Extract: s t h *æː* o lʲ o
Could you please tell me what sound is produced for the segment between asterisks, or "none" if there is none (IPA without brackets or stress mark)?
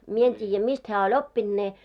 æː